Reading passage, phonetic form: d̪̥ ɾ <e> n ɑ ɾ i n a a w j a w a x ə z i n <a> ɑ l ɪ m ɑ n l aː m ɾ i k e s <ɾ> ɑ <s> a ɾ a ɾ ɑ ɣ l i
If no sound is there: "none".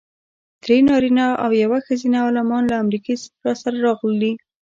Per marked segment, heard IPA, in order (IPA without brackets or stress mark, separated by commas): e, a, ɾ, s